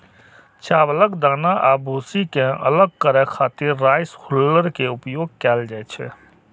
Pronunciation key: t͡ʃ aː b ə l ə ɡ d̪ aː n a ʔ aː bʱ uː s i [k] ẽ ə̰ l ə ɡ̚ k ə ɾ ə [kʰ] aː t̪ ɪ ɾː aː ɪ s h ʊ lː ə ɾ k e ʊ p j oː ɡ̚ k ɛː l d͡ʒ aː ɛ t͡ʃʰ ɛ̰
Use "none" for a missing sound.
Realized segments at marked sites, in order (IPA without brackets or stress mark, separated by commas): k, kʰ